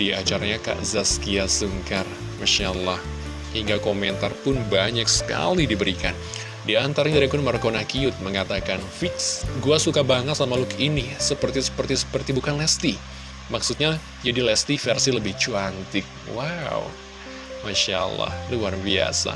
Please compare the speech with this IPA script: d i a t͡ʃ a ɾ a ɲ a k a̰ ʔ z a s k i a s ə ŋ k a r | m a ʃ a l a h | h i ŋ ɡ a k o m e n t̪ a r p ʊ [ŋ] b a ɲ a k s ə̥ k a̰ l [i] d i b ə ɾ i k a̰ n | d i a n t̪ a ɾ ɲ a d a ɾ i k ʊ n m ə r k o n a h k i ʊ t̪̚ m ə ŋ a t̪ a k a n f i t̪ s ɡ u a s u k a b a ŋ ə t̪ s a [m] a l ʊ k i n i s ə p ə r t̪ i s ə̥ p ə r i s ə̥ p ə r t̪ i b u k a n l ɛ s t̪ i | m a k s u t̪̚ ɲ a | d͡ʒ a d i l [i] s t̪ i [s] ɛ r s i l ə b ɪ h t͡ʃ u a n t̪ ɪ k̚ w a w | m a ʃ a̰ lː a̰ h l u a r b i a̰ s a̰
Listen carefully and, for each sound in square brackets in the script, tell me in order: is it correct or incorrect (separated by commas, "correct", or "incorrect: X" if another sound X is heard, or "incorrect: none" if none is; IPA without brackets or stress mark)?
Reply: incorrect: n, correct, correct, incorrect: ɛ, incorrect: f